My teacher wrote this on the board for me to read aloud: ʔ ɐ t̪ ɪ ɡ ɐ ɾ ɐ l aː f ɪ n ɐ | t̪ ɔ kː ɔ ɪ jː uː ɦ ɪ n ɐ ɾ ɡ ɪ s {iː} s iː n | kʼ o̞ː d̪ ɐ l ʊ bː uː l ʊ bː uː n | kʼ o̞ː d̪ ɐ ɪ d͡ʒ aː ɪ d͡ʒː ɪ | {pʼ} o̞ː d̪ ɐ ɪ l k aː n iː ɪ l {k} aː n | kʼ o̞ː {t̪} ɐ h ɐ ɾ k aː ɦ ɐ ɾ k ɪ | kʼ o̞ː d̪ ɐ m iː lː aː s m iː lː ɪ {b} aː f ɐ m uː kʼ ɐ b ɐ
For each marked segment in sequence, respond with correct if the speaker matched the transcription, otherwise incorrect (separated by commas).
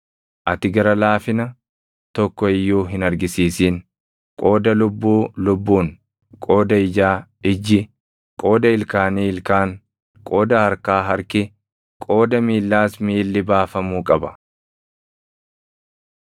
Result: correct, incorrect, correct, incorrect, correct